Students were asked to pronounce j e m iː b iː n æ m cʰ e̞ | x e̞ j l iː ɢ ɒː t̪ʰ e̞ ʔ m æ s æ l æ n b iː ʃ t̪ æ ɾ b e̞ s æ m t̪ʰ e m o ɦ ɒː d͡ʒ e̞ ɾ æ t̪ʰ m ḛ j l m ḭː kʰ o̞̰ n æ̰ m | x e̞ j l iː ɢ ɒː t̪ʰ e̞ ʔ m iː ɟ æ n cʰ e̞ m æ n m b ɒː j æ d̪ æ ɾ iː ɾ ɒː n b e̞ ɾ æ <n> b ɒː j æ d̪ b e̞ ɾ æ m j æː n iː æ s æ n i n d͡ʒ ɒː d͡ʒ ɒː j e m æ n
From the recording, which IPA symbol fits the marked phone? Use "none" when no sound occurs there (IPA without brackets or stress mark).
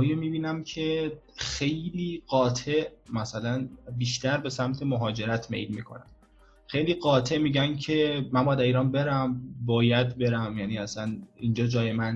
m